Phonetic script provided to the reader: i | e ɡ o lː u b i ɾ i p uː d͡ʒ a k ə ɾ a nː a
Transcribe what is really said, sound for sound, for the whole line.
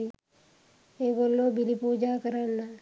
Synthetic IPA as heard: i | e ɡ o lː o b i l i p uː d͡ʒ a k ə ɾ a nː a